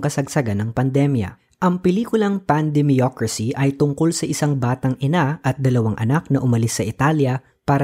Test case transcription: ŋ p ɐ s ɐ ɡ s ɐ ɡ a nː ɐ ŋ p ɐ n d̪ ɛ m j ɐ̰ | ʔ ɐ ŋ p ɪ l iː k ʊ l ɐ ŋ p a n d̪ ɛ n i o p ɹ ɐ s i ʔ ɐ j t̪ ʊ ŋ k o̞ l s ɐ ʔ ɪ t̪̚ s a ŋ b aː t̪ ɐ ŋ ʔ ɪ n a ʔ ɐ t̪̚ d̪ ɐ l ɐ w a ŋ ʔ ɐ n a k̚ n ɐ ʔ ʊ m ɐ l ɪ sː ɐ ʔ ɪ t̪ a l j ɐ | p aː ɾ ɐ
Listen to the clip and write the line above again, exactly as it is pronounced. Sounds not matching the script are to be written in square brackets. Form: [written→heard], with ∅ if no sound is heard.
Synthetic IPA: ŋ [p→k] ɐ s ɐ ɡ s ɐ ɡ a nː ɐ ŋ p ɐ n d̪ ɛ m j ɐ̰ | ʔ ɐ ŋ p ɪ l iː k ʊ l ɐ ŋ p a n d̪ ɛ [n→m] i o [p→k] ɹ ɐ s i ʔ ɐ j t̪ ʊ ŋ k o̞ l s ɐ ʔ ɪ [t̪̚→∅] s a ŋ b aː t̪ ɐ ŋ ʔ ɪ n a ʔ ɐ t̪̚ d̪ ɐ l ɐ w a ŋ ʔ ɐ n a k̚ n ɐ ʔ ʊ m ɐ l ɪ sː ɐ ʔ ɪ t̪ a l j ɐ | p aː ɾ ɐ